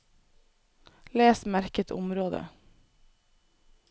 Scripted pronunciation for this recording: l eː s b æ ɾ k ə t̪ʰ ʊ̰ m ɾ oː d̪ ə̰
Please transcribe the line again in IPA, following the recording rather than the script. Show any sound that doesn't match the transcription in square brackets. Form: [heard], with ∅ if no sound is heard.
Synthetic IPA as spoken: l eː s [m] æ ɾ k ə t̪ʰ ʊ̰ m ɾ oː d̪ ə̰